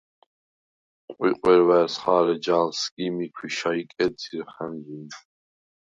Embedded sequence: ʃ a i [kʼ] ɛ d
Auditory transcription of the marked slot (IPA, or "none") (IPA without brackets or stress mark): kʼ